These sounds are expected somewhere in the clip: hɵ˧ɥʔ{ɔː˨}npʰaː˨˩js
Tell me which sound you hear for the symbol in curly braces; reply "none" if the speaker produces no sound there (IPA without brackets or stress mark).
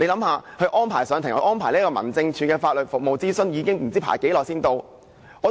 ɔː˥